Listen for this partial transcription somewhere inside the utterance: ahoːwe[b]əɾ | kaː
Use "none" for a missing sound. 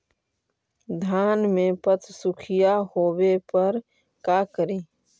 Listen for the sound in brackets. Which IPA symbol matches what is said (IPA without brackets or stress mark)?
p